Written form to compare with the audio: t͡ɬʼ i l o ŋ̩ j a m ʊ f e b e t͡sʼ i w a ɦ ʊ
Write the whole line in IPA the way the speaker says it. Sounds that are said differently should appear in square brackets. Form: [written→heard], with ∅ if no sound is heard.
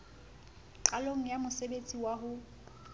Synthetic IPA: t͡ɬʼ [i→a] l o ŋ̩ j a m ʊ [f→s] e b e t͡sʼ i w a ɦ ʊ